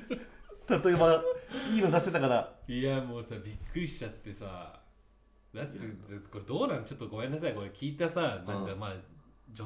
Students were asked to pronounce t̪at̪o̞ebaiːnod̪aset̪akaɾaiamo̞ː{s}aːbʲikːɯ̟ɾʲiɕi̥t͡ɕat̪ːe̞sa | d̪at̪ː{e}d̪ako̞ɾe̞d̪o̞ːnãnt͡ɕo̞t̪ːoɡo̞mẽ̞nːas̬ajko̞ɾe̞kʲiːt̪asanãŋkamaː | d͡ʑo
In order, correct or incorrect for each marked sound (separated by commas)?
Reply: correct, correct